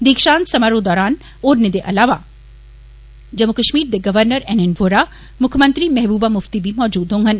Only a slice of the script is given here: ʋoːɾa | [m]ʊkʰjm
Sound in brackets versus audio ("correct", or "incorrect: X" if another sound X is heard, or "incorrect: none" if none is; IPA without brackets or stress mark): correct